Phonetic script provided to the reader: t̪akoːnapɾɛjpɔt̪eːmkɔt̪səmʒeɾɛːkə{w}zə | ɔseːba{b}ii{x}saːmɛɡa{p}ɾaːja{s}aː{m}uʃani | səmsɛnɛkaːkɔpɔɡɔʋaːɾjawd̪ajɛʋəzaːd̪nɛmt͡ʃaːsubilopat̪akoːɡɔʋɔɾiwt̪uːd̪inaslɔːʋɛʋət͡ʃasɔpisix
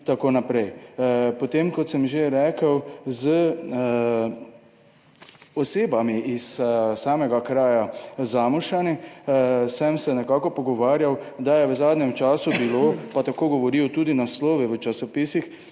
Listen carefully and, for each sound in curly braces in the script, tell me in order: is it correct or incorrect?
correct, incorrect: m, incorrect: s, incorrect: k, incorrect: z, correct

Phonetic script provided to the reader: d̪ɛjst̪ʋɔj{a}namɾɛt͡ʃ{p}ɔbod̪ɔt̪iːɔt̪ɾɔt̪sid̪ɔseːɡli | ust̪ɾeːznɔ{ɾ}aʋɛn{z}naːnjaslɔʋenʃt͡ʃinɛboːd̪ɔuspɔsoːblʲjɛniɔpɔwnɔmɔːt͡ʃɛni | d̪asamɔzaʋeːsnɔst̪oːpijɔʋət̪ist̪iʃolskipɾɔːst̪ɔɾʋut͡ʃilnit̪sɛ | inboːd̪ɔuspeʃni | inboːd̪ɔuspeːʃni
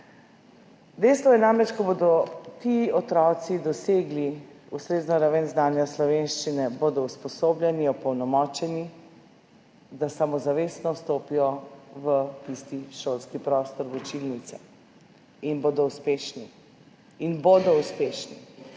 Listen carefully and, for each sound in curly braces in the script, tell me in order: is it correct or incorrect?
incorrect: ɛ, incorrect: k, correct, correct

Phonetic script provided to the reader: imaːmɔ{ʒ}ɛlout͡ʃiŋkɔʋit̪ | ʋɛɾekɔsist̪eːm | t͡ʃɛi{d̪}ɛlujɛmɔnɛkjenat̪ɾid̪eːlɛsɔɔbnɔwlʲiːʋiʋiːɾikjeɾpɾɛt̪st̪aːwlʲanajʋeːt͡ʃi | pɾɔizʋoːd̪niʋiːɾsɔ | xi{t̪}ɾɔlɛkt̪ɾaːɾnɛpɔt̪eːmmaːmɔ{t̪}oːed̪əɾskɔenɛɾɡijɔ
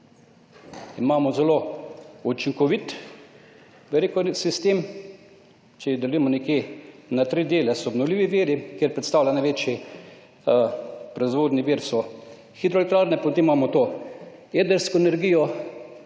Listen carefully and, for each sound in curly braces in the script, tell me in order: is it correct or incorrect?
incorrect: z, correct, incorrect: d̪, correct

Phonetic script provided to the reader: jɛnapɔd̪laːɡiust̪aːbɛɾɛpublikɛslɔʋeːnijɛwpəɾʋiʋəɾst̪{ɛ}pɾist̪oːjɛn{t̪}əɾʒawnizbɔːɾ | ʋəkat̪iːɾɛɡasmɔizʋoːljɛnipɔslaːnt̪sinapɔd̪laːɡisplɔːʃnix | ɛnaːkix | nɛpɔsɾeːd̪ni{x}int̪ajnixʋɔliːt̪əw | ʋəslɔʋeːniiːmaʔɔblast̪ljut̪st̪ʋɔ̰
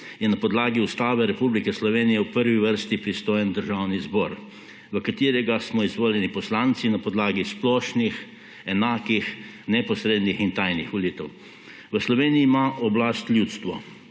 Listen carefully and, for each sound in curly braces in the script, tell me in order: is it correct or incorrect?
incorrect: i, incorrect: d̪, correct

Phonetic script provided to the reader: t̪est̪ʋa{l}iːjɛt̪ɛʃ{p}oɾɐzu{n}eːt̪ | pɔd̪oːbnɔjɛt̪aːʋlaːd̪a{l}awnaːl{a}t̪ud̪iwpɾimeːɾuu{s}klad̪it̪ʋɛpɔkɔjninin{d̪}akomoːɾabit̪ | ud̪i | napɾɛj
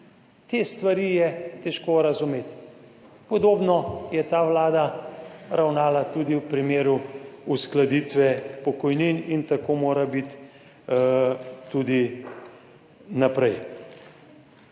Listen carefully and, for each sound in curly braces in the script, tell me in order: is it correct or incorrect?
incorrect: ɾ, incorrect: k, incorrect: m, incorrect: ɾ, correct, correct, incorrect: t̪

